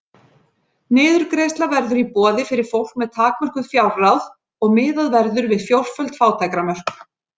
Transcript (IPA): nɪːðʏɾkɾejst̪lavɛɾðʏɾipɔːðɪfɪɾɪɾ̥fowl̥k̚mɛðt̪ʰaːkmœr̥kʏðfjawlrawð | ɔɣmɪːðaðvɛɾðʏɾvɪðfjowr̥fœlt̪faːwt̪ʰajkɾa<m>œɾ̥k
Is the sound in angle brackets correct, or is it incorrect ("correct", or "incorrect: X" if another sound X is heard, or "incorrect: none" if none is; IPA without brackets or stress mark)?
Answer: correct